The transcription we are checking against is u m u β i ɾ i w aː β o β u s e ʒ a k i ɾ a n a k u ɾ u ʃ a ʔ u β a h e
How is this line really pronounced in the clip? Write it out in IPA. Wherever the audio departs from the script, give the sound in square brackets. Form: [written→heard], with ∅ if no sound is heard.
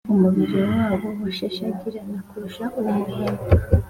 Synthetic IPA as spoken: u m u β i ɾ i w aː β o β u [s→ʃ] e [ʒ→ʃ] a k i ɾ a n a k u ɾ u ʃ a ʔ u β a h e